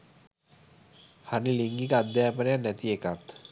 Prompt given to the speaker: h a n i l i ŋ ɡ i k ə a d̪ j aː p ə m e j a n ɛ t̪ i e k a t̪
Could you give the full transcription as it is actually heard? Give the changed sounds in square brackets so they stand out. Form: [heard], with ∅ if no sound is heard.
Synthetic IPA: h a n i l i ŋ ɡ i k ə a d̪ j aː p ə [n] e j a n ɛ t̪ i e k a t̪